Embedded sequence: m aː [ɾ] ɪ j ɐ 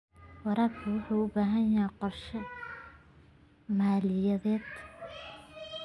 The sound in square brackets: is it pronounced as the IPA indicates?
no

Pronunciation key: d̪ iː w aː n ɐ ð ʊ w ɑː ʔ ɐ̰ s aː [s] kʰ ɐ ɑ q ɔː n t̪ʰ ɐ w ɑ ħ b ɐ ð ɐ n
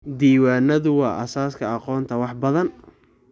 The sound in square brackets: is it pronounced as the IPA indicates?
yes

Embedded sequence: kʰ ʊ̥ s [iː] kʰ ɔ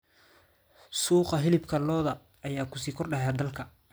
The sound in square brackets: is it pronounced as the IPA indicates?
yes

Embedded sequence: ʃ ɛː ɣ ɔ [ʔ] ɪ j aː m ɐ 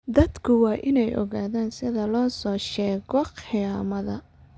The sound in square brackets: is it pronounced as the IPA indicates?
no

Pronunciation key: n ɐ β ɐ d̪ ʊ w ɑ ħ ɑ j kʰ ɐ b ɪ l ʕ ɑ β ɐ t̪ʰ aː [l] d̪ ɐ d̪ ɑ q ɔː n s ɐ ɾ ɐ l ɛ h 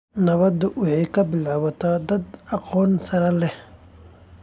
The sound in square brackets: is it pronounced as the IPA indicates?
no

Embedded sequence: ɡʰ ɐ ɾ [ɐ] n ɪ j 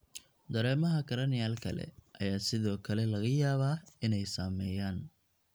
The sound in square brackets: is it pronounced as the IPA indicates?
yes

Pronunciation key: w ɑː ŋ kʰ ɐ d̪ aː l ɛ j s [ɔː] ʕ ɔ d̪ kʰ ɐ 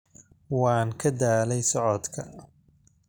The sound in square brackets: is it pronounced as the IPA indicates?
no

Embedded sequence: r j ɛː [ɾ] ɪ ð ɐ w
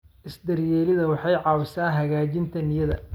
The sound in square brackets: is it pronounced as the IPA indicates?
no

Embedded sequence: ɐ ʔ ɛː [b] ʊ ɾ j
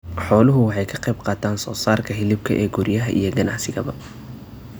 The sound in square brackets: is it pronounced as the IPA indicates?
no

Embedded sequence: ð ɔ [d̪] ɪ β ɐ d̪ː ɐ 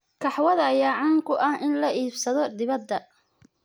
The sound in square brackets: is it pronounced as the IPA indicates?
yes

